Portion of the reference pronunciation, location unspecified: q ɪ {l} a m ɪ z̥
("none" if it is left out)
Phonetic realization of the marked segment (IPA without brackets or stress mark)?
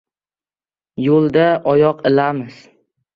l